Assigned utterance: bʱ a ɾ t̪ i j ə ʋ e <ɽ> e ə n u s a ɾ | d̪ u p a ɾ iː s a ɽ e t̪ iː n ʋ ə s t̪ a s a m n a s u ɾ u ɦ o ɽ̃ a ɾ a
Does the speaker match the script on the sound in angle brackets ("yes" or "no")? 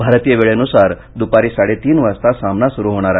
no